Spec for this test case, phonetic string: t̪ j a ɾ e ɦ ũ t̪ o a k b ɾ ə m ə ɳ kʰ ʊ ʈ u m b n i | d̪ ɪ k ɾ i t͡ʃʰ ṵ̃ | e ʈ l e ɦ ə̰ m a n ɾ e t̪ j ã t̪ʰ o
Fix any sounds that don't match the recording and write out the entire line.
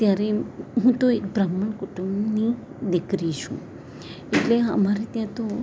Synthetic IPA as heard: t̪ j a ɾ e ɦ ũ t̪ o e k b ɾ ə m ə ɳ k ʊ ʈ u m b n i | d̪ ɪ k ɾ i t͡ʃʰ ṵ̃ | e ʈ l e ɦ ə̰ m a ɾ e t̪ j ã t̪ o